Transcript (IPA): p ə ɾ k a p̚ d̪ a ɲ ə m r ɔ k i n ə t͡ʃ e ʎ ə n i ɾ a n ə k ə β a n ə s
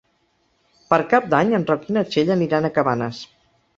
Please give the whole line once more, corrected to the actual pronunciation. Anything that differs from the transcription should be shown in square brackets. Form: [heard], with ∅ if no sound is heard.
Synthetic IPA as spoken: p ə ɾ k a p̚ d̪ a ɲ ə [n] r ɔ k i n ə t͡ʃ e ʎ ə n i ɾ a n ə k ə β a n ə s